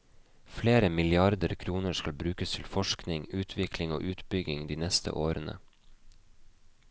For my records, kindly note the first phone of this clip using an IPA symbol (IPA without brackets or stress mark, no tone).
f